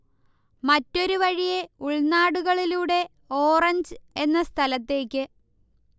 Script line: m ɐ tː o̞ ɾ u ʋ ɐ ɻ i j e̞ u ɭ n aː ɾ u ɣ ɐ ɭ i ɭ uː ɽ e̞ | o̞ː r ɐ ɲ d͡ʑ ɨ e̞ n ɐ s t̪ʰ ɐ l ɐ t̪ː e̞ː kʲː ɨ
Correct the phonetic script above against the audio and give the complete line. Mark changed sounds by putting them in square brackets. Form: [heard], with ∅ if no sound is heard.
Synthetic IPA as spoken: m ɐ tː o̞ ɾ u ʋ ɐ ɻ i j e̞ u ɭ n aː [ɽ] u ɣ ɐ ɭ i [l] uː ɽ e̞ | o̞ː r ɐ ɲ d͡ʑ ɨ e̞ [nː] ɐ s t̪ʰ ɐ l ɐ t̪ː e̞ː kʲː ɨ